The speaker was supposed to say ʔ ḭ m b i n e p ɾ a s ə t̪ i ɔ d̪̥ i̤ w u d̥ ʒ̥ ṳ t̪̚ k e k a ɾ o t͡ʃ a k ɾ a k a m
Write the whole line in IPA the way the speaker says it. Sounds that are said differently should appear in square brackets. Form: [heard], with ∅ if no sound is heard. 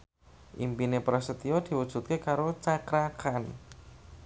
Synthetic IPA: ʔ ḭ m [p] i n e p ɾ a s ə t̪ i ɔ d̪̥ i̤ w u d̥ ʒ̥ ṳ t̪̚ k e k a ɾ o t͡ʃ a k ɾ a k a [n]